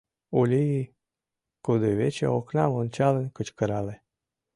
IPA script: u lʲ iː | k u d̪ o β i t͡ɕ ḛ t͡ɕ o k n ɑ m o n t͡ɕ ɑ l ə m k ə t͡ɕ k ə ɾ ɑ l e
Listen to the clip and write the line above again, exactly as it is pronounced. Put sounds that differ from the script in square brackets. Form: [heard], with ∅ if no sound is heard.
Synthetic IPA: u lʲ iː | k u d̪ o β [e] t͡ɕ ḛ [∅] o k n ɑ m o n t͡ɕ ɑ l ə [n] k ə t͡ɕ k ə ɾ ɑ l e

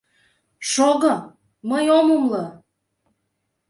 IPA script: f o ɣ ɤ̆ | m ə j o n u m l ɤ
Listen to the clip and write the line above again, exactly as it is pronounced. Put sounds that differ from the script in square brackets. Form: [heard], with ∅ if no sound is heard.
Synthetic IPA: [ʃ] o ɣ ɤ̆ | m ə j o [m] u m l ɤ

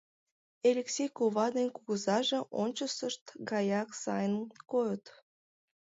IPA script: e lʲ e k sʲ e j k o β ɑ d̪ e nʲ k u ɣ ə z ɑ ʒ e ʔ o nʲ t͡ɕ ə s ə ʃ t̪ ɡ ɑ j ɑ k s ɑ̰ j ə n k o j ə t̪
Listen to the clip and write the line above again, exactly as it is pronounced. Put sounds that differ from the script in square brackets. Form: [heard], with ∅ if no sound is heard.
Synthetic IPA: e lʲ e k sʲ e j k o β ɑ d̪ e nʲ k u ɣ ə z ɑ ʒ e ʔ o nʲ t͡ɕ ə s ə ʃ t̪ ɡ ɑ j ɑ k s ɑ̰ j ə n k o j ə t̪

